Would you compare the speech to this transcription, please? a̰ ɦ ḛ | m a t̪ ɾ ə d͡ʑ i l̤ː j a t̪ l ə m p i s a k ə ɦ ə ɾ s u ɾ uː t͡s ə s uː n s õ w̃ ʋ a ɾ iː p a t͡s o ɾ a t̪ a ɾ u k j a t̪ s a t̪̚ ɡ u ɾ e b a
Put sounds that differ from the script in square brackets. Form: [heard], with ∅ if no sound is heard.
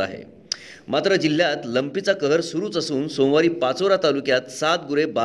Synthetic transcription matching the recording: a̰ ɦ ḛ | m a t̪ ɾ ə d͡ʑ i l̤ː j a t̪ l ə m p i [t͡s] a k ə ɦ ə ɾ s u ɾ uː t͡s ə s uː n s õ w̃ ʋ a ɾ iː p a t͡s o ɾ a t̪ a [l] u k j a t̪ s a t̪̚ ɡ u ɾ e b a